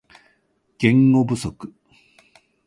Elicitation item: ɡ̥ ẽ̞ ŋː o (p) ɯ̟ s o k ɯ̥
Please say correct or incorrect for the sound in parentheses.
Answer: incorrect: b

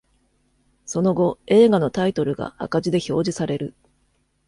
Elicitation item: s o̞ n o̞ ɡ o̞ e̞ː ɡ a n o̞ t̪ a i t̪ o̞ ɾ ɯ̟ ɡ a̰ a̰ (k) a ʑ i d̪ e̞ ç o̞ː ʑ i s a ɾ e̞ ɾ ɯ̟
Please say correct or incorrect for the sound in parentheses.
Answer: correct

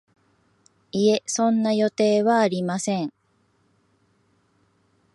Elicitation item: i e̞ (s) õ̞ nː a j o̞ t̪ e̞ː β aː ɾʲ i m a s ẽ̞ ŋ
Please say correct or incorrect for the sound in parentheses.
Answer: correct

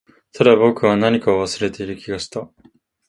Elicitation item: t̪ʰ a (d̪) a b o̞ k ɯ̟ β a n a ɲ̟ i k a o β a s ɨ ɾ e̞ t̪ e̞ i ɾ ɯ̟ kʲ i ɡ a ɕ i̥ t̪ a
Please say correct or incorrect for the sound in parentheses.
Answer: correct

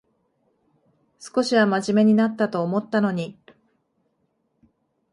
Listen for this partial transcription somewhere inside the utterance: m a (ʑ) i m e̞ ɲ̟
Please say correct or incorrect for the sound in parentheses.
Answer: correct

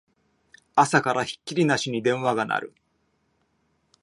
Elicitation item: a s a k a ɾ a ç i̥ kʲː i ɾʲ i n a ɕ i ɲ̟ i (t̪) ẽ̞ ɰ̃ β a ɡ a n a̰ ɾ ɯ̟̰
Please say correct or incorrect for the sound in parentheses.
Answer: incorrect: d̪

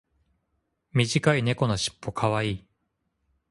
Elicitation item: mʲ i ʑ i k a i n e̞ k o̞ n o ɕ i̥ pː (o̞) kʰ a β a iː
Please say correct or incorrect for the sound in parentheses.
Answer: correct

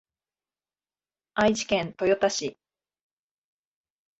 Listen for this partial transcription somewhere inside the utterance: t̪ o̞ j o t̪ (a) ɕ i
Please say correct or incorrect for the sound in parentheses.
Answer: correct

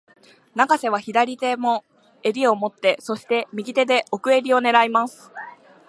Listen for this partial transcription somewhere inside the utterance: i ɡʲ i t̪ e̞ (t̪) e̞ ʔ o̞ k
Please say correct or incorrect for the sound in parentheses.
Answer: incorrect: d̪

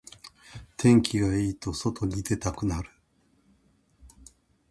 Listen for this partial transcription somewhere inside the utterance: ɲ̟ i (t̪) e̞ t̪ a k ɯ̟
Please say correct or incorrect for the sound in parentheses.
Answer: incorrect: d̪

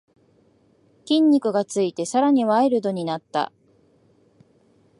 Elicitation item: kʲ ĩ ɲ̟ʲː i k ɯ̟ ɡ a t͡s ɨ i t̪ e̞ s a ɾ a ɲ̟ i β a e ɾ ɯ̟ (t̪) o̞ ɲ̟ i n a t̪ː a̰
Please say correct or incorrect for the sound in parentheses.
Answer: incorrect: d̪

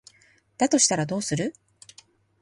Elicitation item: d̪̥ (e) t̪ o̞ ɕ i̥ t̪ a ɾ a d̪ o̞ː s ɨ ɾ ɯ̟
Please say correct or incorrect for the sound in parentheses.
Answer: incorrect: a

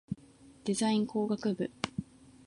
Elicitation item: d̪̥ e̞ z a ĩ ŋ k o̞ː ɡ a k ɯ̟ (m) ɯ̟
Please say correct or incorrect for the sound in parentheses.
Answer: incorrect: b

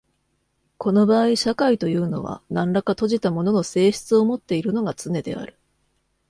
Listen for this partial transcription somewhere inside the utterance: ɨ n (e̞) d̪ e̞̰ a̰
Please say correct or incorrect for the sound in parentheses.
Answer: correct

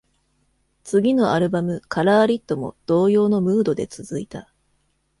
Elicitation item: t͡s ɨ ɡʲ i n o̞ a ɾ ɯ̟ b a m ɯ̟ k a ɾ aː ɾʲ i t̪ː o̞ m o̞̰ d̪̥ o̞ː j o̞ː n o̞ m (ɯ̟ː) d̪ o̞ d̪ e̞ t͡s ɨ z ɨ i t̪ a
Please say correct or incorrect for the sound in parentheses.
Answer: correct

